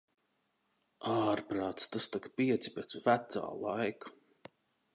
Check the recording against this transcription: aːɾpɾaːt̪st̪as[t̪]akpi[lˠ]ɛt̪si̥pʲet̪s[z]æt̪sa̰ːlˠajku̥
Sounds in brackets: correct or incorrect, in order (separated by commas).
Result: correct, incorrect, incorrect